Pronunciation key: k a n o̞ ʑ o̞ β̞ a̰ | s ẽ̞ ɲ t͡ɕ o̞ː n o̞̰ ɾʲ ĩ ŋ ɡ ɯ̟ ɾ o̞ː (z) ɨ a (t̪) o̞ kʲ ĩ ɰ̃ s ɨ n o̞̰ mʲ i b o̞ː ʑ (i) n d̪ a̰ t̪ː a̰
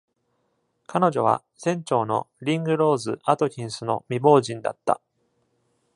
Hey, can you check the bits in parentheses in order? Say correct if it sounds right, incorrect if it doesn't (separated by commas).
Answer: correct, correct, incorrect